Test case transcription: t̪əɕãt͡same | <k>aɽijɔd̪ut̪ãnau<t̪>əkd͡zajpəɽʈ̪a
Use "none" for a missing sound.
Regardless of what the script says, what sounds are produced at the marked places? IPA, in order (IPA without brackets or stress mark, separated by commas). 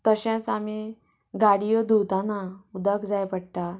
ɡ, d̪